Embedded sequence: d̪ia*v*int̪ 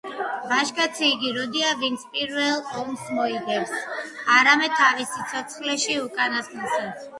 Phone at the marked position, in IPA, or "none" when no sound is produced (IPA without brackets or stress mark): v